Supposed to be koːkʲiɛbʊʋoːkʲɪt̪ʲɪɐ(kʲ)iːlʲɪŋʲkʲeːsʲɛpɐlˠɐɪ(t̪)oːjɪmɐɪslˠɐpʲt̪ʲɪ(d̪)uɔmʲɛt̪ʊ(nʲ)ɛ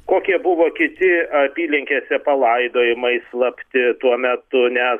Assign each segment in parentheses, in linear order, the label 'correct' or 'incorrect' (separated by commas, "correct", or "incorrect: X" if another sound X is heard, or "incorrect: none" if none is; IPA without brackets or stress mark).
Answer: incorrect: pʲ, incorrect: d̪, incorrect: t̪, correct